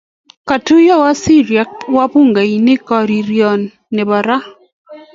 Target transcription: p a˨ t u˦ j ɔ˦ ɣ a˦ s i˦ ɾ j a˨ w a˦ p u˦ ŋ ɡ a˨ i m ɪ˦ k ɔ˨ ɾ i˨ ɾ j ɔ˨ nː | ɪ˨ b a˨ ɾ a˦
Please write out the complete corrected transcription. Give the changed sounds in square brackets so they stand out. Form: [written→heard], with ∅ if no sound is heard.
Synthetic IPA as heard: [p→k] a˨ t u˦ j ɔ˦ [ɣ→w] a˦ s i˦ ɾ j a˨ w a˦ p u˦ ŋ ɡ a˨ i [m→n] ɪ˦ k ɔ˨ ɾ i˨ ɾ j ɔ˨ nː | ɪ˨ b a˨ ɾ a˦